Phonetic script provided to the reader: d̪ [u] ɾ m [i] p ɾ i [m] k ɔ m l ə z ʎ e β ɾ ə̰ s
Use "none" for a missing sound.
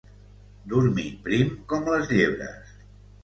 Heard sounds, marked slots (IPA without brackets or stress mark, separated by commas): u, i, m